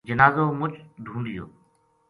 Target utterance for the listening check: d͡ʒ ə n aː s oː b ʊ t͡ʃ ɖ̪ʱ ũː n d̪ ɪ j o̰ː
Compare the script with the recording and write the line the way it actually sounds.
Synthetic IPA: d͡ʒ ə n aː z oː m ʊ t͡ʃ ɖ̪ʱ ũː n d̪ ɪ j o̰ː